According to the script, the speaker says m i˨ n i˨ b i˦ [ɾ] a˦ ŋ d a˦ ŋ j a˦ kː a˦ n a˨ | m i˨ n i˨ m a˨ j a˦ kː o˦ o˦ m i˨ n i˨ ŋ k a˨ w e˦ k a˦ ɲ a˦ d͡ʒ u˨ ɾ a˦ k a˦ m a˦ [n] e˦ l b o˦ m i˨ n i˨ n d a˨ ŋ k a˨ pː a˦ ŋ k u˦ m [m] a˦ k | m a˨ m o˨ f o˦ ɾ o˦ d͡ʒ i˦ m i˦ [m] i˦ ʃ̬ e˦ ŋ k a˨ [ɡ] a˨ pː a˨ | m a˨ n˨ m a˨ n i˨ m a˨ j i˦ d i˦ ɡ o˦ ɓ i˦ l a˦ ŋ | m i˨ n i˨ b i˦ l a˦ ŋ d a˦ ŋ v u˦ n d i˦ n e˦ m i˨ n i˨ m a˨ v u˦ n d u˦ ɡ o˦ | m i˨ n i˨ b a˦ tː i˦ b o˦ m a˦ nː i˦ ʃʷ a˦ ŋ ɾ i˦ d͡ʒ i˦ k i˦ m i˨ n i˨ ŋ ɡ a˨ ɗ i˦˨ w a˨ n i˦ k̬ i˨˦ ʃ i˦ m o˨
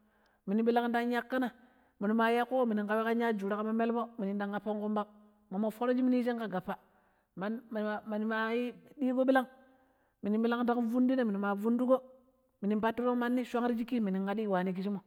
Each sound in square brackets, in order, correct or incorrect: incorrect: l, incorrect: m, incorrect: b, incorrect: n, correct

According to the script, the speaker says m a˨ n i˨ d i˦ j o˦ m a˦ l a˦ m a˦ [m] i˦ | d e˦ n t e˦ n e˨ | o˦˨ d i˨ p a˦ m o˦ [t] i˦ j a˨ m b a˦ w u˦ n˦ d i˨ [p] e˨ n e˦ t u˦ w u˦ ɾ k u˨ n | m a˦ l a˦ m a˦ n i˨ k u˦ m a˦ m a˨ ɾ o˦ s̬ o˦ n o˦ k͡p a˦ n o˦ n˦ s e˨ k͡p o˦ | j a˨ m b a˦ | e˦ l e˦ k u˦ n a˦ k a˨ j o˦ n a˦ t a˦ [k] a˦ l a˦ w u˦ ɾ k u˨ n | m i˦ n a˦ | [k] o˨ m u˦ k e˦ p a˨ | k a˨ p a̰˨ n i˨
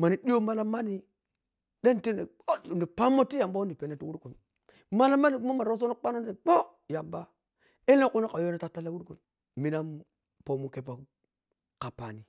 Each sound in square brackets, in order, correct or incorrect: incorrect: n, correct, correct, incorrect: t, incorrect: p

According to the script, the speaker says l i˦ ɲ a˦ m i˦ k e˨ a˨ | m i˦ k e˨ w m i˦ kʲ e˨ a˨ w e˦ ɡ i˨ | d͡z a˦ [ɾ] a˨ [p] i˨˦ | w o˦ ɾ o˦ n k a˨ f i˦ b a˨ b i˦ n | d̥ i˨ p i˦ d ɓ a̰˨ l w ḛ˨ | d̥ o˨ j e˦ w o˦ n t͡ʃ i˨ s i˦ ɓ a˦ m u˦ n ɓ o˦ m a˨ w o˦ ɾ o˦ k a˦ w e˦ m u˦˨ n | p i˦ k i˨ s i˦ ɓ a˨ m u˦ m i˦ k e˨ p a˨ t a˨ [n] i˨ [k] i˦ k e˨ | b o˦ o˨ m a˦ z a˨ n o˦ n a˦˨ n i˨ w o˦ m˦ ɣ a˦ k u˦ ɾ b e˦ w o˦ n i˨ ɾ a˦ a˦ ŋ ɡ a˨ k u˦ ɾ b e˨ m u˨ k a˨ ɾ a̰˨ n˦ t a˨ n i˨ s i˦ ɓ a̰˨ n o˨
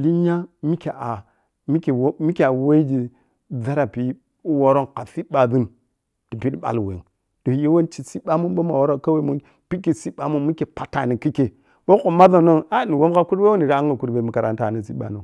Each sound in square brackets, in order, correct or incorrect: correct, correct, correct, correct

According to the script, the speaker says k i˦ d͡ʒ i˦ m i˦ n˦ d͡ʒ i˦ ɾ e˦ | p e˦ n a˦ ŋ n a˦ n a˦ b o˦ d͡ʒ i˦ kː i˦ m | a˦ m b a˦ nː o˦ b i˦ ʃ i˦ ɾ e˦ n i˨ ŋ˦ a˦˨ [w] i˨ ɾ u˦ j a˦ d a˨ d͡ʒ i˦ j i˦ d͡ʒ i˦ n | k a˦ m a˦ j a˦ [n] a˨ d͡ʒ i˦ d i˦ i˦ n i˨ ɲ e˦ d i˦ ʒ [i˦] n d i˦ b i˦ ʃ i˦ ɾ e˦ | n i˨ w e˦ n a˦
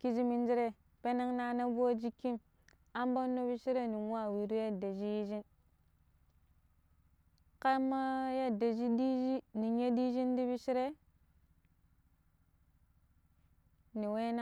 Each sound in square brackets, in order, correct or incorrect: correct, incorrect: d, correct

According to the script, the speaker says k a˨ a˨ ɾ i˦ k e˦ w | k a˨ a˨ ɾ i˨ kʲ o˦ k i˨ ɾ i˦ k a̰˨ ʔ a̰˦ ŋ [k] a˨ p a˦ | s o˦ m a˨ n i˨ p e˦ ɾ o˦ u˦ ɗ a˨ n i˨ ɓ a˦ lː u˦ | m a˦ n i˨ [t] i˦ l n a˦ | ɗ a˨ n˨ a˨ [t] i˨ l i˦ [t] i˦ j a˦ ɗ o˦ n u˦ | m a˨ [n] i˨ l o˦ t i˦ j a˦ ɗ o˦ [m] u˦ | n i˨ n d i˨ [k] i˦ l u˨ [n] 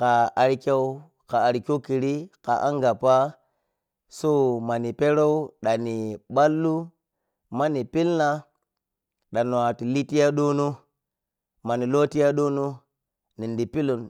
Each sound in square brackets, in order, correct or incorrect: incorrect: ɡ, incorrect: p, correct, correct, correct, incorrect: n, incorrect: p, correct

